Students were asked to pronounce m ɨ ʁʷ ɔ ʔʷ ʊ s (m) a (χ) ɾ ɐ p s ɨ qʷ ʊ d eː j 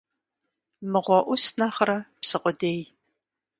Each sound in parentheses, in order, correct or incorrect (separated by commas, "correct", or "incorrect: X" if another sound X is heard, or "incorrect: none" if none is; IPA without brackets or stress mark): incorrect: n, correct